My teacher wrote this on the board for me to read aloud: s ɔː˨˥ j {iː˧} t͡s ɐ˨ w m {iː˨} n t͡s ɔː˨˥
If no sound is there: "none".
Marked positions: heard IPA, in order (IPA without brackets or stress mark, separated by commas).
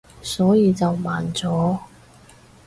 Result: iː˧, aː˨